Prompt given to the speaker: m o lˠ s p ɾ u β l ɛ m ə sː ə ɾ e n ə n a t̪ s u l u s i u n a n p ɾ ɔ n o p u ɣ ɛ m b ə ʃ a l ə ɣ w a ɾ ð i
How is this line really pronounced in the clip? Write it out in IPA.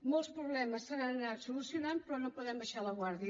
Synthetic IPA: m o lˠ s p ɾ u β l ɛ m ə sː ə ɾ a n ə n a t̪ s u l u s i u n a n p ɾ ɔ n o p u ð ɛ m b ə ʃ a l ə ɣ w a ɾ ð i

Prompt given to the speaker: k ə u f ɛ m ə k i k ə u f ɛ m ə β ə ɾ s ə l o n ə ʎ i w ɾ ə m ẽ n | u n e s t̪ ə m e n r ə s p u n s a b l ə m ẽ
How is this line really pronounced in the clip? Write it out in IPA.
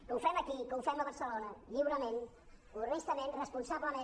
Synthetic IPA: k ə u f ɛ m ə k i k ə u f ɛ m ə β ə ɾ s ə l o n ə ʎ i w ɾ ə m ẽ n | u n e s t̪ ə m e n r ə s p u n s a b l ə m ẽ

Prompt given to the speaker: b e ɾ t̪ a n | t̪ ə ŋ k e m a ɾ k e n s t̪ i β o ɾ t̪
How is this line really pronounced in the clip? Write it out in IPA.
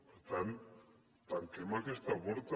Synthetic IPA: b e ɾ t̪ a n | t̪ a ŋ k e m a k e s t̪ a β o ɾ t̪

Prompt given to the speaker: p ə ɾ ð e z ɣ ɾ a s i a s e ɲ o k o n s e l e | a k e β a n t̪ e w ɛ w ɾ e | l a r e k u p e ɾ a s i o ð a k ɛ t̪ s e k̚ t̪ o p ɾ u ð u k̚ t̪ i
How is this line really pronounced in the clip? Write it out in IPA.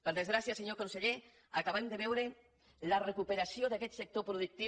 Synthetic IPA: p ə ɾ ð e z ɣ ɾ a s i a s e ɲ o k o n s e ʎ e | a k a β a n d̪ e β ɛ w ɾ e | l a r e k u p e ɾ a s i o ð a k ɛ t̪ s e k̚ t̪ o p ɾ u ð u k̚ t̪ i

